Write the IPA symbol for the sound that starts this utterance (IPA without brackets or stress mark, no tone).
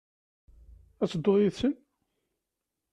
æ